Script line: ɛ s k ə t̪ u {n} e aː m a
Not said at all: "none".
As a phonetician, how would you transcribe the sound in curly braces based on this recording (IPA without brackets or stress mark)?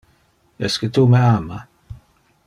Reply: m